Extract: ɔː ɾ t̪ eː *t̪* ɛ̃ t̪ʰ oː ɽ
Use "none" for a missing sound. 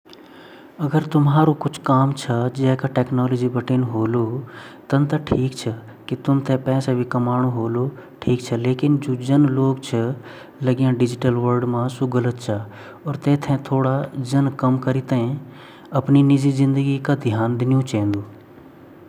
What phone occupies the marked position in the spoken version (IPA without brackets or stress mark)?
t̪ʰ